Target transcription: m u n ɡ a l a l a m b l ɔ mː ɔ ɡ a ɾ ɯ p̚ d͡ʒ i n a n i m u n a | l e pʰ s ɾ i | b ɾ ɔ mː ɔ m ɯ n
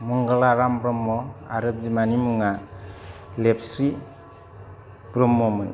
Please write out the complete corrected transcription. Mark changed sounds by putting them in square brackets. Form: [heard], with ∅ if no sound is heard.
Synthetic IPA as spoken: m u [ŋ] ɡ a l a [ɾ] a m b [ɾ] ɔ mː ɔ [∅] a ɾ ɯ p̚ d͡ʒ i [m] a n i m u [ŋ] a | l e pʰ s ɾ i | b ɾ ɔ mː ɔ m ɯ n